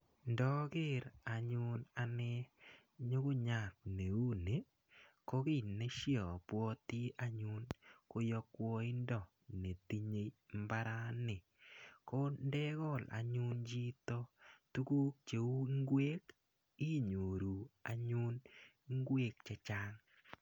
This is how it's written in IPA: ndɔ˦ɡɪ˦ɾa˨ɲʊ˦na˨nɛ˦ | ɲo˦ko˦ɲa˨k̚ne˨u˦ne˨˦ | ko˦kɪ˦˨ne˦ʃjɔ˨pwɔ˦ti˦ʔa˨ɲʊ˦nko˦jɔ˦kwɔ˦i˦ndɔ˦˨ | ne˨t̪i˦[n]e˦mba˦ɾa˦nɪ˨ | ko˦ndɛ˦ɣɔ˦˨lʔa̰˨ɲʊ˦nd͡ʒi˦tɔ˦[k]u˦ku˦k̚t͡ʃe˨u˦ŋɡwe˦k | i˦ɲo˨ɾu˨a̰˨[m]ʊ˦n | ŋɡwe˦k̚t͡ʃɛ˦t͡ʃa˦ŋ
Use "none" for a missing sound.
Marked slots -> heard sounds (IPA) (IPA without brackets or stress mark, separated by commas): ɲ, t, ɲ